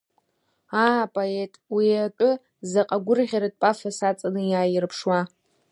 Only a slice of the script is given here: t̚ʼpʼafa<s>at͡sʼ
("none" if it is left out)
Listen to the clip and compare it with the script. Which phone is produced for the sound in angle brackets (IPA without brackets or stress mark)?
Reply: s